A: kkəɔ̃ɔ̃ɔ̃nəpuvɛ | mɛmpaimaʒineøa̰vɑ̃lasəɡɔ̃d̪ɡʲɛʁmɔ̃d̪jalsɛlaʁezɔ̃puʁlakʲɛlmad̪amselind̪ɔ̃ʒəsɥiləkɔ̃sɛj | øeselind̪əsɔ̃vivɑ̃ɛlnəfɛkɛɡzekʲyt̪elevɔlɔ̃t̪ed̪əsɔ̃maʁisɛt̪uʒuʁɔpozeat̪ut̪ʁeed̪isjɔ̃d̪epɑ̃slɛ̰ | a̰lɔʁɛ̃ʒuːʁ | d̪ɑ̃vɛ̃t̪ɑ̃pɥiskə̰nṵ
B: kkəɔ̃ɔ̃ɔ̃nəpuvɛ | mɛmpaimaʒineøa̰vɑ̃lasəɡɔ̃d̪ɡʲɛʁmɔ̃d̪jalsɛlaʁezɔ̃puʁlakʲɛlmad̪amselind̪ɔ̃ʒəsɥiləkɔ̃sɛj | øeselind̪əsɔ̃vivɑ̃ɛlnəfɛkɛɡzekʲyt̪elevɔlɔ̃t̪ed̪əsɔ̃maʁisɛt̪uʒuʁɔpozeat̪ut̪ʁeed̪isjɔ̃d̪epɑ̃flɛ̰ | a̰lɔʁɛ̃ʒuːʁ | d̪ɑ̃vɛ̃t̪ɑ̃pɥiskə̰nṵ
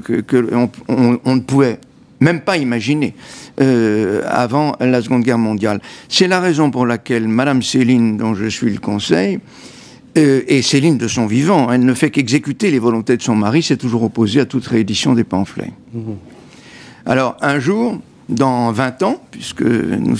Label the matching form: B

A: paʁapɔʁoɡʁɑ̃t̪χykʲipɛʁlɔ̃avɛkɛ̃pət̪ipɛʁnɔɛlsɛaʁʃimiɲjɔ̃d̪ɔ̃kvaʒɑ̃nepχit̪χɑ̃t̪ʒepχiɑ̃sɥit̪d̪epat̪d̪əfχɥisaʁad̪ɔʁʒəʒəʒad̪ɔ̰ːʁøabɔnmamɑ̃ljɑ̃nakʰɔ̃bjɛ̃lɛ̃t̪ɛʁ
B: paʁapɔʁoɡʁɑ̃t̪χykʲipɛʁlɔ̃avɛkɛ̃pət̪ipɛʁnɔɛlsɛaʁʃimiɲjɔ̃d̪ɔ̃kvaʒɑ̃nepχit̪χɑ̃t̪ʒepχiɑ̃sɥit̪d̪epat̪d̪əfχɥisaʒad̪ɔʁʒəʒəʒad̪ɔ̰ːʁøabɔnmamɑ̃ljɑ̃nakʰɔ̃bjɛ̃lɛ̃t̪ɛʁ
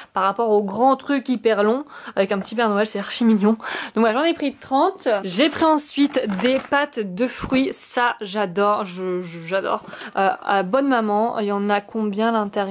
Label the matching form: B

